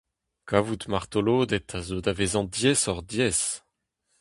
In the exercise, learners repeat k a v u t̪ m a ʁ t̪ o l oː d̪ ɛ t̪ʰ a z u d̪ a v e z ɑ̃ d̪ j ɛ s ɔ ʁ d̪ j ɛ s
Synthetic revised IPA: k a v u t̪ m a ʁ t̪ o l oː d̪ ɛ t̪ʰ a z o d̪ a v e z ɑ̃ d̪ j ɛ s ɔ ʁ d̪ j ɛ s